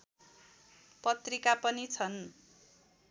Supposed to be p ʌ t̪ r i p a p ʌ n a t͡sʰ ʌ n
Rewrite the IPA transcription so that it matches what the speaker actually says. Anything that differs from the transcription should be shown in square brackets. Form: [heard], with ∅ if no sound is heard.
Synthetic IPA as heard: p ʌ t̪ r i [k] a p ʌ n [i] t͡sʰ ʌ n